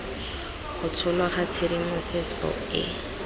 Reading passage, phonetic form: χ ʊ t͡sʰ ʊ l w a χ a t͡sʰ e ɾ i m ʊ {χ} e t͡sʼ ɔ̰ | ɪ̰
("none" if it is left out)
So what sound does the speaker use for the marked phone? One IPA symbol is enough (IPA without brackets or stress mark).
s